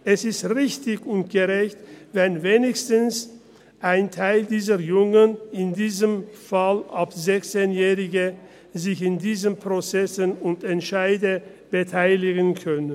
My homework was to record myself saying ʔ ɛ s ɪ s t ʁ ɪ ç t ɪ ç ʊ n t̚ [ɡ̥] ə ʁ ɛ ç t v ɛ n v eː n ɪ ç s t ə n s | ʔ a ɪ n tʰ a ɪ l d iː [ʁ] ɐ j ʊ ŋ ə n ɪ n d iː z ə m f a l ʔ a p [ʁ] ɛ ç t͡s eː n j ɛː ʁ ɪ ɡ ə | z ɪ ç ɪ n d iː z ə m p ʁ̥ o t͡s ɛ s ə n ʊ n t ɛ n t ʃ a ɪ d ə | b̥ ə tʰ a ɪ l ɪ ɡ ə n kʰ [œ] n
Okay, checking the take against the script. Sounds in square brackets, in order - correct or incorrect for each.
correct, incorrect, incorrect, correct

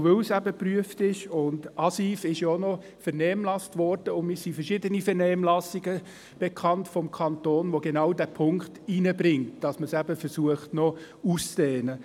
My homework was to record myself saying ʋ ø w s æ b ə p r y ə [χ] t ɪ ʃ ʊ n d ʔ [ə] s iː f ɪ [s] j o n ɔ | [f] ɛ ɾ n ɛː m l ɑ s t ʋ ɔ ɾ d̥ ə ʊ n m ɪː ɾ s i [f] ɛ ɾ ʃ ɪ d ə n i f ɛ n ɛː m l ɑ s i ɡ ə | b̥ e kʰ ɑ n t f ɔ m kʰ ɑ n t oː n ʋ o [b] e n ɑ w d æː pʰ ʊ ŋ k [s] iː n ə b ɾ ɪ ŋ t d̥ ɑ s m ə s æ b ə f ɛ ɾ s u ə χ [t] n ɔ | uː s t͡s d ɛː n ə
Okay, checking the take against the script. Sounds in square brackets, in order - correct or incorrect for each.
incorrect, incorrect, incorrect, correct, correct, incorrect, incorrect, correct

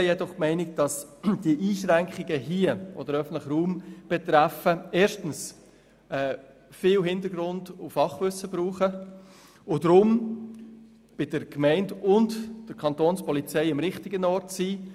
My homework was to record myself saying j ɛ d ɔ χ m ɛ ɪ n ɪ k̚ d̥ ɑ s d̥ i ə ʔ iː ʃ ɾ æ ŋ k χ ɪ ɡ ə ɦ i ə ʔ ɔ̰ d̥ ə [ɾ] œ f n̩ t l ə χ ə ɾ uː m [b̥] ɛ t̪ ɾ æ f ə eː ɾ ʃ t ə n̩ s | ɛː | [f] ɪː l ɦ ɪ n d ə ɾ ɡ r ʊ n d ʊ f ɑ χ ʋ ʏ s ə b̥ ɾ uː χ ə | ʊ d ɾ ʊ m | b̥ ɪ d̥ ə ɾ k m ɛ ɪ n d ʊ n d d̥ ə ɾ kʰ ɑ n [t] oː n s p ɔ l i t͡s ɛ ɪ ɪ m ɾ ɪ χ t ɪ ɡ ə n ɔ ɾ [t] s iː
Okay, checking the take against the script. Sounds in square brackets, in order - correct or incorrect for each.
correct, correct, correct, correct, correct

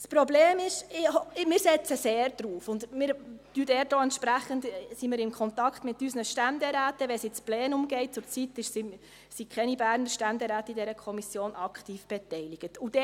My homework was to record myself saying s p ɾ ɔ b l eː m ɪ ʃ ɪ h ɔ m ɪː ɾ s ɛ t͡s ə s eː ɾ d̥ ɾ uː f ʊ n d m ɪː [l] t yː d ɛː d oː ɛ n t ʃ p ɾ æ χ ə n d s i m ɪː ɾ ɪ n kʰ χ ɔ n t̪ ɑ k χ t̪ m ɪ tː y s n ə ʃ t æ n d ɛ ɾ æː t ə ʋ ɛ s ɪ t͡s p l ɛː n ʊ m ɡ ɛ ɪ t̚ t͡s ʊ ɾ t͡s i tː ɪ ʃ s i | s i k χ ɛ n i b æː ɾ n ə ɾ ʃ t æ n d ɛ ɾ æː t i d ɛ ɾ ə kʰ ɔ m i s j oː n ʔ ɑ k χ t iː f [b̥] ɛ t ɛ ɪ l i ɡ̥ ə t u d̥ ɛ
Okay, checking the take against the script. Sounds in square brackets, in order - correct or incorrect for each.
incorrect, correct

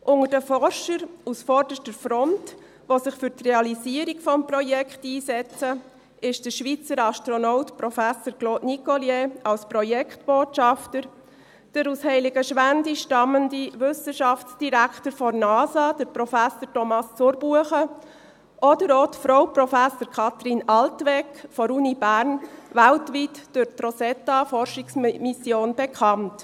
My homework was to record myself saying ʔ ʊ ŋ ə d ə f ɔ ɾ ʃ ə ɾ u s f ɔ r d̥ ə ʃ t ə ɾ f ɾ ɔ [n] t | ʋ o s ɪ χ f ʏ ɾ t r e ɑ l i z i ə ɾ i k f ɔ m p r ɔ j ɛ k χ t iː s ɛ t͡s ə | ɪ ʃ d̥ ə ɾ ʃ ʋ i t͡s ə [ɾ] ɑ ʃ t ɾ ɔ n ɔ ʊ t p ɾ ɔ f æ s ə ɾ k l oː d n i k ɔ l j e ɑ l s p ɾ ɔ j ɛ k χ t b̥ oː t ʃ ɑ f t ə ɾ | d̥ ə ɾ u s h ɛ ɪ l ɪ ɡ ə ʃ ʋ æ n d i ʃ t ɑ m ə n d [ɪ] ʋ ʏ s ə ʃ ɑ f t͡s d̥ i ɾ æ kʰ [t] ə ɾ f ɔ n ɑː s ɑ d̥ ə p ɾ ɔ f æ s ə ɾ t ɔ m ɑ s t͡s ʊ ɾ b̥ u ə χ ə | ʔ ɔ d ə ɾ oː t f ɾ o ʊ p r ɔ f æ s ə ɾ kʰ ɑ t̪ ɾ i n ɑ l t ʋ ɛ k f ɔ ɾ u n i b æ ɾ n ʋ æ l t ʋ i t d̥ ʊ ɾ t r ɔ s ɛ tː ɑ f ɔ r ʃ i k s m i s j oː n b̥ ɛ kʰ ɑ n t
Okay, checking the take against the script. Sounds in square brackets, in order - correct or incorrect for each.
correct, correct, incorrect, correct

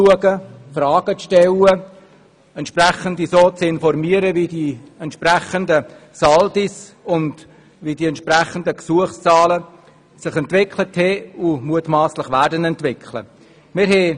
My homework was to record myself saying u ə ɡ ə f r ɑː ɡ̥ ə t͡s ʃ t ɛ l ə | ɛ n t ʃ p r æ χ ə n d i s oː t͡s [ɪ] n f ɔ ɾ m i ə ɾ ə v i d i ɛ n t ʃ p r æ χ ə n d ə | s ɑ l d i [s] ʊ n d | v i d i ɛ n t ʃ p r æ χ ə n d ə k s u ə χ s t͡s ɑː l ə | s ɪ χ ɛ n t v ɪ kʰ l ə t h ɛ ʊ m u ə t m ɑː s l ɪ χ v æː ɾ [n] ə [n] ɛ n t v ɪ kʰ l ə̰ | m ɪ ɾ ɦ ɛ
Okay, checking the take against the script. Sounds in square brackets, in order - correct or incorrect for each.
correct, correct, incorrect, correct

